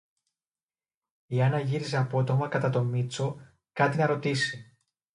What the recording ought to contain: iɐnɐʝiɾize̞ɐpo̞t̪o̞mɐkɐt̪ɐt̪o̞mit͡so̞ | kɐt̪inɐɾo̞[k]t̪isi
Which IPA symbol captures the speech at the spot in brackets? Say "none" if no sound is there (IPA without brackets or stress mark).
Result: none